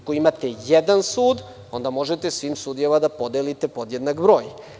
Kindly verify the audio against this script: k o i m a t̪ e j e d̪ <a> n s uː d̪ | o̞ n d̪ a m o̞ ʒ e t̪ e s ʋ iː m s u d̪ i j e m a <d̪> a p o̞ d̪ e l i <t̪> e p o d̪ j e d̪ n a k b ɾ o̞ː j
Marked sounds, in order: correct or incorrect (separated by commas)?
correct, correct, correct